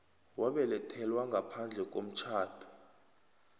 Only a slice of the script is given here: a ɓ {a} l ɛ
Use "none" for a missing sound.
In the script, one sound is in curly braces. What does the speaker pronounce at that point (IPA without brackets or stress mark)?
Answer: ɛ